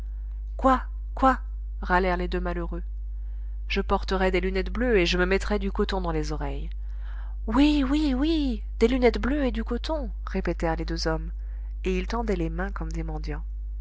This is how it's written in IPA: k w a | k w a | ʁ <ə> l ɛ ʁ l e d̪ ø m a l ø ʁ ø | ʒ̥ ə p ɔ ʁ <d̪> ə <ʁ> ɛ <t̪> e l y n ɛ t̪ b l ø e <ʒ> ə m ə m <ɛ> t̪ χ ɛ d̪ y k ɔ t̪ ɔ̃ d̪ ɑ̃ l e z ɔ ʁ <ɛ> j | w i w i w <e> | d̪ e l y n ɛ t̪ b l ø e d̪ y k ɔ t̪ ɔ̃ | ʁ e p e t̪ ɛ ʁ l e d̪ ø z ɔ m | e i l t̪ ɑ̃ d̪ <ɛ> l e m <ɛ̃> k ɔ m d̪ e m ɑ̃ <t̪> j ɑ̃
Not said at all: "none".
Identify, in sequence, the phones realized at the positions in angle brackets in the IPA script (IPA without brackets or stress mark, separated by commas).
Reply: a, t̪, ʁ, d̪, ʒ, ɛ, ɛ, i, ɛ, ɛ̃, d̪